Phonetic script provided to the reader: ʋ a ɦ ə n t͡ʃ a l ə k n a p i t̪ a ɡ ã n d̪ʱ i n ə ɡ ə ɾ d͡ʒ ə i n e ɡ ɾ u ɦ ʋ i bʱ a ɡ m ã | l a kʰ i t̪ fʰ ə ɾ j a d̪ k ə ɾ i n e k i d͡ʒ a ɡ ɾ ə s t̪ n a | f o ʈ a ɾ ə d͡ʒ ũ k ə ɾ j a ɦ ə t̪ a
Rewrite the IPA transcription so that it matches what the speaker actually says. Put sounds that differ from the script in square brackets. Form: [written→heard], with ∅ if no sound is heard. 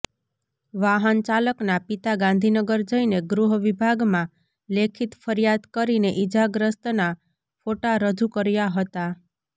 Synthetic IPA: ʋ a ɦ ə n t͡ʃ a l ə k n a p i t̪ a ɡ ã n d̪ʱ i n ə ɡ ə ɾ d͡ʒ ə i n e ɡ ɾ u ɦ ʋ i bʱ a ɡ m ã | l [a→e] kʰ i t̪ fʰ ə ɾ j a d̪ k ə ɾ i n e [k→ʔ] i d͡ʒ a ɡ ɾ ə s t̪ n a | f o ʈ a ɾ ə d͡ʒ [ũ→u] k ə ɾ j a ɦ ə t̪ a